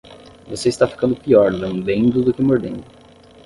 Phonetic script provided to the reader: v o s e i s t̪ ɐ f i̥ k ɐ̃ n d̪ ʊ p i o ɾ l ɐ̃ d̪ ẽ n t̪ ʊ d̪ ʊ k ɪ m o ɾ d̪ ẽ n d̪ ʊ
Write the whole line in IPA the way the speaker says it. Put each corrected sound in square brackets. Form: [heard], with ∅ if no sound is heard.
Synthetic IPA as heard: v o s e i s t̪ [a] f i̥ k ɐ̃ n d̪ ʊ p i [ɔ] ɾ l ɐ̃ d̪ ẽ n [d̪] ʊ d̪ ʊ k ɪ m o ɾ d̪ ẽ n d̪ ʊ

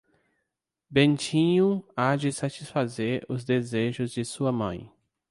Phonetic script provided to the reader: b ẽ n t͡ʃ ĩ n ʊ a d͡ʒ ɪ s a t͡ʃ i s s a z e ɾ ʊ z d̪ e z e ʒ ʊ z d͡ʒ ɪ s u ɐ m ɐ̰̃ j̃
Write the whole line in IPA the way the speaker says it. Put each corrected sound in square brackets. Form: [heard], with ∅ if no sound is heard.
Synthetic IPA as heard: b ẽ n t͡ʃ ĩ [ɲ] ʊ a d͡ʒ ɪ s a t͡ʃ i s [f] a z e ɾ ʊ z d̪ e z e ʒ ʊ z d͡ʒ ɪ s u ɐ m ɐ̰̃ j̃

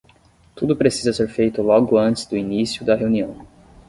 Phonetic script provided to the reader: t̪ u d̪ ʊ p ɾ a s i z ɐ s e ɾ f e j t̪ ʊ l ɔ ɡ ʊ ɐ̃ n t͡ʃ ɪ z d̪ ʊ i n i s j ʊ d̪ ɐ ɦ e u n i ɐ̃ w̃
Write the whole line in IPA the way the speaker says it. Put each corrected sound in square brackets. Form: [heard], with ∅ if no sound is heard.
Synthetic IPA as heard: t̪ u d̪ ʊ p ɾ [e] s i z ɐ s e ɾ f e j t̪ ʊ l ɔ ɡ ʊ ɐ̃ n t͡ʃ ɪ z d̪ ʊ i n i s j ʊ d̪ ɐ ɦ e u n i ɐ̃ w̃

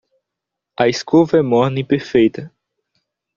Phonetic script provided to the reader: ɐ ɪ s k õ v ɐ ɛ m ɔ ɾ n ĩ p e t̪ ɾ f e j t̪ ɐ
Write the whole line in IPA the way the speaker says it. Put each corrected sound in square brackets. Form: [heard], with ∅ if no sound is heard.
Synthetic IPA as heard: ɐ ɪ s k [o] v ɐ ɛ m ɔ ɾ n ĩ p e [∅] ɾ f e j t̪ ɐ

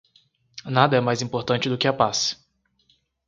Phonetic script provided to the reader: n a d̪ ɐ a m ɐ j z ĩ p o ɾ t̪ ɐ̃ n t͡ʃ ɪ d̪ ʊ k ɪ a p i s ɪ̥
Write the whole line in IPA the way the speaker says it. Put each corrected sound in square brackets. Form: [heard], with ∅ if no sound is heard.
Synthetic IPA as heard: n a d̪ ɐ [ɛ] m [a] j z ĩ p o ɾ t̪ ɐ̃ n t͡ʃ ɪ d̪ ʊ k ɪ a p [a] s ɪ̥

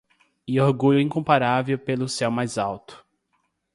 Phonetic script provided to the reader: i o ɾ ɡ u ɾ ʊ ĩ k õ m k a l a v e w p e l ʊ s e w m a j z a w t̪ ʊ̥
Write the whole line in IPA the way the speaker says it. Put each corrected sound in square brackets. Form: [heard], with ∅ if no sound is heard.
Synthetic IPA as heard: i o ɾ ɡ u [ʎ] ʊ ĩ k õ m [p] a [ɾ] a v e w p e l ʊ s [ɛ] w m a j z a w t̪ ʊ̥

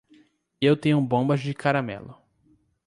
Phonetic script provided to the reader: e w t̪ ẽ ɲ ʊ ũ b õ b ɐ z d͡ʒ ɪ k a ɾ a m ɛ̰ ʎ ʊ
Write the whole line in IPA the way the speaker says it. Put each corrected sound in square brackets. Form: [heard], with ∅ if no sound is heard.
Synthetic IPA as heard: e w t̪ ẽ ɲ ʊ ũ b õ b ɐ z d͡ʒ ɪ k a ɾ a m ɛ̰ [l] ʊ

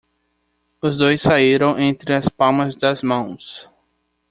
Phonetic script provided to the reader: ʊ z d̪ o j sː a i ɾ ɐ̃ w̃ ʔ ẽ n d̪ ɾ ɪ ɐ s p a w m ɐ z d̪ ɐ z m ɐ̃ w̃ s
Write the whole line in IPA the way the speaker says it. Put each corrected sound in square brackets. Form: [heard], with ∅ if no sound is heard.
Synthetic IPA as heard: ʊ z d̪ o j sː a i ɾ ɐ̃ w̃ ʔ ẽ n [t̪] ɾ ɪ ɐ s p a w m ɐ z d̪ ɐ z m ɐ̃ w̃ s

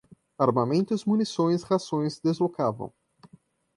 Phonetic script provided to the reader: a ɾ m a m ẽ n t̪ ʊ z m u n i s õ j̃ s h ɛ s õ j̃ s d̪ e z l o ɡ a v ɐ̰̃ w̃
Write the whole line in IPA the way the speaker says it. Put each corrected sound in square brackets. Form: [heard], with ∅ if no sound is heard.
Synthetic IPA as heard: a ɾ m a m ẽ n t̪ ʊ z m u n i s õ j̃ s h [a] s õ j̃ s d̪ e z l o [k] a v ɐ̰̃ w̃

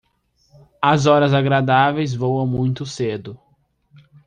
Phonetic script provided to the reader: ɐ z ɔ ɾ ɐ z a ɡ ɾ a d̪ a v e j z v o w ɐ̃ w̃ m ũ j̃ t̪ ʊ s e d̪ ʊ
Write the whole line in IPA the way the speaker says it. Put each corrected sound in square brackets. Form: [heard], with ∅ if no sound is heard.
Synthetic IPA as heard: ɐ z ɔ ɾ ɐ z a ɡ ɾ a d̪ a v e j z v o w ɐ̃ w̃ m ũ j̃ t̪ ʊ s e d̪ ʊ

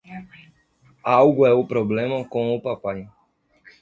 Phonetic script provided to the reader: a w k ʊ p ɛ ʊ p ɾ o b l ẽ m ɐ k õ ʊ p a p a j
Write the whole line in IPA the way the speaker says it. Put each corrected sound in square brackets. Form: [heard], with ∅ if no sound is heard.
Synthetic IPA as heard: a w [ɡ] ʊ [∅] ɛ ʊ p ɾ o b l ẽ m ɐ k õ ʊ p a p a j

